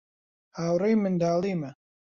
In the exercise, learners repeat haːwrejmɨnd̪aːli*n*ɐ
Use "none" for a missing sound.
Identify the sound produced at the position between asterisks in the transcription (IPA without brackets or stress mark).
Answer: m